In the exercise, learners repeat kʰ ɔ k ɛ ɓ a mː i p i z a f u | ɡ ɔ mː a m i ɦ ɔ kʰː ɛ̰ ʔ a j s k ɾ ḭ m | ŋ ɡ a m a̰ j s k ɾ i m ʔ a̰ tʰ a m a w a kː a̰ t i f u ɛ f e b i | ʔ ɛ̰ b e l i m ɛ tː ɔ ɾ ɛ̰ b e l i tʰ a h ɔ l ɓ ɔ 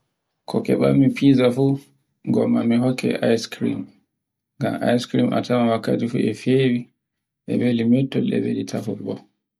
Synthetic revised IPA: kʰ ɔ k ɛ ɓ a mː i p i z a f u | ɡ ɔ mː a m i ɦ ɔ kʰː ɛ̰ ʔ a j s k ɾ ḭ m | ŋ ɡ a m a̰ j s k ɾ i m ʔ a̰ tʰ a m a w a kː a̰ t i f u ɛ f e w i | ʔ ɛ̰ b e l i m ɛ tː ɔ l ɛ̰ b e l i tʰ a f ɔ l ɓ ɔ